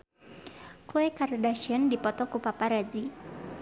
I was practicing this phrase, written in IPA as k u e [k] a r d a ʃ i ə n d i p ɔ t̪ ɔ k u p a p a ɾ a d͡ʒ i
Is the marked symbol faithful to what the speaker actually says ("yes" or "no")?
yes